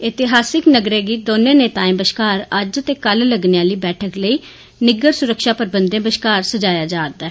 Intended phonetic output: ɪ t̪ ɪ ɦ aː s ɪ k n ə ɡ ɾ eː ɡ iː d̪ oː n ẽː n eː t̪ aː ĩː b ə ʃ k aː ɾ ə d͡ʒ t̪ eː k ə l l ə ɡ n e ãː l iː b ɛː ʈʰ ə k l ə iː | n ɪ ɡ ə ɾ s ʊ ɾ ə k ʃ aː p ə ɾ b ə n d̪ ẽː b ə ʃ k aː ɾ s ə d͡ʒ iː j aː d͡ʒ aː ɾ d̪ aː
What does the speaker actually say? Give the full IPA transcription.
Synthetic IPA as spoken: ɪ t̪ ɪ ɦ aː s ɪ k n ə ɡ ɾ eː ɡ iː d̪ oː n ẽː n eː t̪ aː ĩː b ə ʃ k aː ɾ ə d͡ʒ t̪ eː k ə l l ə ɡ n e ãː l iː b ɛː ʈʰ ə k l ə iː | n ɪ ɡ ə ɾ s ʊ ɾ ə k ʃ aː p ə ɾ b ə n d̪ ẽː b ə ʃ k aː ɾ s ə d͡ʒ aː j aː d͡ʒ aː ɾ d̪ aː